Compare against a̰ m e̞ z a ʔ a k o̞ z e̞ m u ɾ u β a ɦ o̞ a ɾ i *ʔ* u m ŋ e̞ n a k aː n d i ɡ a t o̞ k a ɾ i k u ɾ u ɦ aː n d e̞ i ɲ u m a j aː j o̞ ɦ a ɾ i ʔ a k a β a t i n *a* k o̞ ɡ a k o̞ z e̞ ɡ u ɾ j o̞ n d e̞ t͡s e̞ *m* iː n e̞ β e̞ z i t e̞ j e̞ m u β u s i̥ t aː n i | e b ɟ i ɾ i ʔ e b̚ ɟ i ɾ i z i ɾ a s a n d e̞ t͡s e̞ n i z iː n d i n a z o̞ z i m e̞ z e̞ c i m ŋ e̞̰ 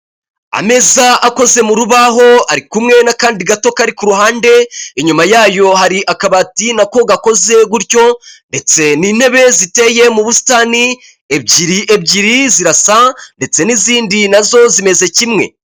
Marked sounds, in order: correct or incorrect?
incorrect, correct, incorrect

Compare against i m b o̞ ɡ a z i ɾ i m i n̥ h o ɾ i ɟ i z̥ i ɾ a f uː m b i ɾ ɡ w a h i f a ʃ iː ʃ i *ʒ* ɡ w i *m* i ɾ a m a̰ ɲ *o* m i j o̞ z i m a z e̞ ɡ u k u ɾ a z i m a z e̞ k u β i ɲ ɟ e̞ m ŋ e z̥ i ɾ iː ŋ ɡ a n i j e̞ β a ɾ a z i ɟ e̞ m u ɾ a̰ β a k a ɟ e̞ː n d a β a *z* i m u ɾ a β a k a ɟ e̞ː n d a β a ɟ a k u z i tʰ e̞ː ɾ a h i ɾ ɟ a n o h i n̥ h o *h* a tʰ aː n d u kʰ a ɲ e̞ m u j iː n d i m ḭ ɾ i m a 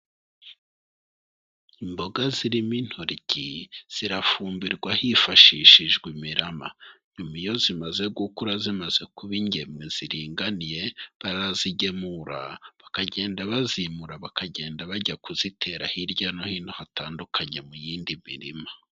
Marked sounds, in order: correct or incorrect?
correct, correct, incorrect, correct, correct

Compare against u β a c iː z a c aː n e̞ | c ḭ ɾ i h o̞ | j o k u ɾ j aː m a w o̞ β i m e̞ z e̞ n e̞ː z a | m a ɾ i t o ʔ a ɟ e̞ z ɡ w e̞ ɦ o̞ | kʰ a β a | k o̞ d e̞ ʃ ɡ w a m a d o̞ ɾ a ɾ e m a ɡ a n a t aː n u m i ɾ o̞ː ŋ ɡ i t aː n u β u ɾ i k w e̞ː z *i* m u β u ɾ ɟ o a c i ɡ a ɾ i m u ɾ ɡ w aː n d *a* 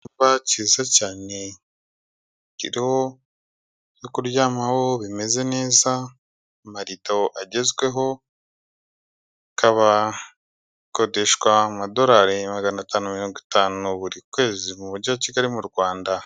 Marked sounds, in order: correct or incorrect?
correct, correct

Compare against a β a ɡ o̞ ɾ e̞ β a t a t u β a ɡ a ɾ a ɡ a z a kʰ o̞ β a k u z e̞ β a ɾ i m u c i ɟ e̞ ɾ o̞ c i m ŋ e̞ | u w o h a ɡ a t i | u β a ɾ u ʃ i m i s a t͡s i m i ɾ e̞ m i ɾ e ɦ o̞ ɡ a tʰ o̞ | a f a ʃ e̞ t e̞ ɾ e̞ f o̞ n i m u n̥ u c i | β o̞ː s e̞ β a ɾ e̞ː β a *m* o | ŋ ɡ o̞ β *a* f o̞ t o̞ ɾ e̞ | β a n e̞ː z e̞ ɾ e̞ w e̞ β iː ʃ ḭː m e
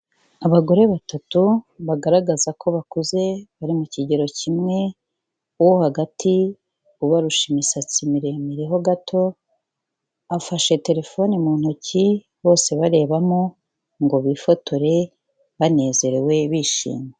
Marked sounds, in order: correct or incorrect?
correct, incorrect

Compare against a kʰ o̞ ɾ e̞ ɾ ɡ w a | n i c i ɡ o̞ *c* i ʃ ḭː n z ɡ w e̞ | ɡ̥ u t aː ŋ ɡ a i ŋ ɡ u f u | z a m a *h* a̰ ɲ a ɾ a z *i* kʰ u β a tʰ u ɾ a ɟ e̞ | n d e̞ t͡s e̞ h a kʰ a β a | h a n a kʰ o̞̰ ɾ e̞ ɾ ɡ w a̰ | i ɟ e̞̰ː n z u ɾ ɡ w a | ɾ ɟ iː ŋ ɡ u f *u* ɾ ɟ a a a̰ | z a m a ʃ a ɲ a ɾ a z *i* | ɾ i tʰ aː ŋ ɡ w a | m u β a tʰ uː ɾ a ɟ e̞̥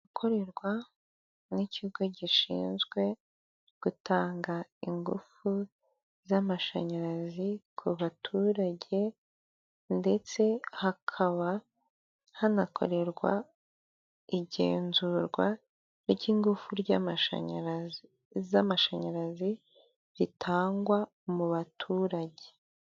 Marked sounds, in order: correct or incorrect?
incorrect, incorrect, correct, correct, correct

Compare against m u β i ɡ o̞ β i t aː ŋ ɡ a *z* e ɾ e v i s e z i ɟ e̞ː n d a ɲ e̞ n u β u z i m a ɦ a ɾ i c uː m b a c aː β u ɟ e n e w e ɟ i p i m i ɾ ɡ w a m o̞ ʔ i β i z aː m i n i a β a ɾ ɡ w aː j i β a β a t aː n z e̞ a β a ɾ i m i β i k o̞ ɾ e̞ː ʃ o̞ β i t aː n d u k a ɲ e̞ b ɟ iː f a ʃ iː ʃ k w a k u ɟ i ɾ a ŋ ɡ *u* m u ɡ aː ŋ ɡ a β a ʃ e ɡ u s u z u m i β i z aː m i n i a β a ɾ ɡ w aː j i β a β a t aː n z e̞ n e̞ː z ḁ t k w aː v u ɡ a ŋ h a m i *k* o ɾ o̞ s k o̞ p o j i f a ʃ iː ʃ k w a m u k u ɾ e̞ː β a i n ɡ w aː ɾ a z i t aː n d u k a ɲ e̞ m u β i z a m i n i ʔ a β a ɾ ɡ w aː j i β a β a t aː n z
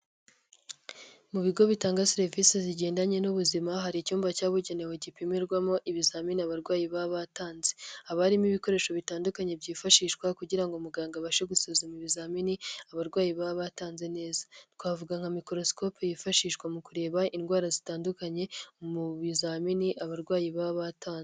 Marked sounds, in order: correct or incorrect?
incorrect, incorrect, correct

